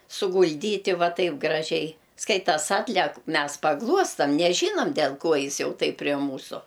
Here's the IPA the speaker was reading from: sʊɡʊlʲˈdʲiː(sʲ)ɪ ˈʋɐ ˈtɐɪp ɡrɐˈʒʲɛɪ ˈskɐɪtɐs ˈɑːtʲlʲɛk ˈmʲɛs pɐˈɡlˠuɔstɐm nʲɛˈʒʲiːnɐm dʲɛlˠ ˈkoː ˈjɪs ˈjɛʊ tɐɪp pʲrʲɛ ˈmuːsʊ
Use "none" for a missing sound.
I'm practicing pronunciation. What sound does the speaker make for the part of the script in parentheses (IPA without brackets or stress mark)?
tʲ